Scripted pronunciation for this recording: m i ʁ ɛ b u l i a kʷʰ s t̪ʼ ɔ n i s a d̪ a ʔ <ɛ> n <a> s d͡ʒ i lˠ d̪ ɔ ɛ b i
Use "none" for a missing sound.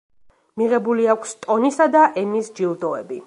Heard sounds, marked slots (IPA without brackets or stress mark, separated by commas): ɛ, i